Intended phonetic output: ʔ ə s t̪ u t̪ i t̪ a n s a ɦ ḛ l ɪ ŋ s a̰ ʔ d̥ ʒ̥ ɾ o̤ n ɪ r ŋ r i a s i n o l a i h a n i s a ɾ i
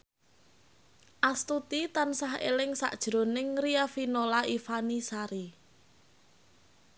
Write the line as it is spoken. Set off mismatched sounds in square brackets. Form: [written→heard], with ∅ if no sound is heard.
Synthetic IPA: ʔ [ə→a] s t̪ u t̪ i t̪ a n s a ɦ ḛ l ɪ ŋ s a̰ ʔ d̥ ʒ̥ ɾ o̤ n ɪ [r→∅] ŋ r i a [s→f] i n o l a i [h→f] a n i s a ɾ i